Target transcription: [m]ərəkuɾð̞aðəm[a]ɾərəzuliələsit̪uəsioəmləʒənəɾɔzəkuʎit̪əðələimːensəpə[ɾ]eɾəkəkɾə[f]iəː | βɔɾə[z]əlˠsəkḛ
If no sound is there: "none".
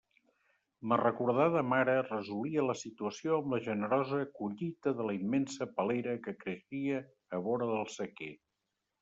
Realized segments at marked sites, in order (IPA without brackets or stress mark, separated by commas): m, a, l, ʃ, ð